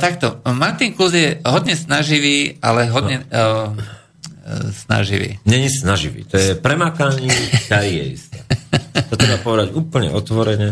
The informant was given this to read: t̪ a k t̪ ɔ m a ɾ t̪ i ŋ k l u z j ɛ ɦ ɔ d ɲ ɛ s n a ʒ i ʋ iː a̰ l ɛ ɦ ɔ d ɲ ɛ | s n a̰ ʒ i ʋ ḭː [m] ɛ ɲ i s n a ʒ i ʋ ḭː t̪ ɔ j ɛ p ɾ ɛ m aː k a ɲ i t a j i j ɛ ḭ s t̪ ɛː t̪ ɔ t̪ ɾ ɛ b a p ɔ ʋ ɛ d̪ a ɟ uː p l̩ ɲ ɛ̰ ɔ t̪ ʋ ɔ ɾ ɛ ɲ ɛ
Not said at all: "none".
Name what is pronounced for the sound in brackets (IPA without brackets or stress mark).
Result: ɲ